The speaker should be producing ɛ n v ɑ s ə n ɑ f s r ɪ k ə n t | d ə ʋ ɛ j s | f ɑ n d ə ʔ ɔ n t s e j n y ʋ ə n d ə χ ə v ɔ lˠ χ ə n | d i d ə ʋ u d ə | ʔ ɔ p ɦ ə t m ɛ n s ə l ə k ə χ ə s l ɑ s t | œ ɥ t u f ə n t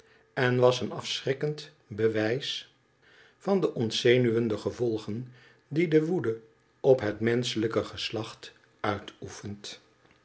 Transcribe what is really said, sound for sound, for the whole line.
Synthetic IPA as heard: ɛ n ʋ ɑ s ə n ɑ f s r ɪ k ə n t | b ə ʋ ɛ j s | f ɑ n d ə ʔ ɔ n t s e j n y ʋ ə n d ə χ ə v ɔ lˠ χ ə n | d i d ə ʋ u d ə | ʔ ɔ p ɦ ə t m ɛ n s ə l ə k ə χ ə s l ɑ χ t | œ ɥ t u f ə n t